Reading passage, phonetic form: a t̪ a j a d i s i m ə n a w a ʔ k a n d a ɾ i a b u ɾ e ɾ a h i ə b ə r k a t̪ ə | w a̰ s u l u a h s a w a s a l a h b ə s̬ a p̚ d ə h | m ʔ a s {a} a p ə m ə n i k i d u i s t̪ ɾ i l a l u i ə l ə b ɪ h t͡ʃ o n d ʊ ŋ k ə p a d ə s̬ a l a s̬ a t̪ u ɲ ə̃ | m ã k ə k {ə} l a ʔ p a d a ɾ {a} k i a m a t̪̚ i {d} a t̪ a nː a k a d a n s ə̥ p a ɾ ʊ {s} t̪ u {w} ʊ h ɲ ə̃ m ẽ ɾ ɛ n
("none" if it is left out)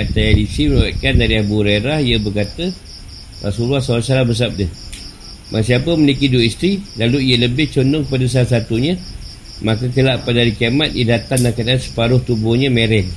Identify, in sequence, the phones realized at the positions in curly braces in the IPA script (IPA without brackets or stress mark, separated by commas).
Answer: i, ə, i, d, h, b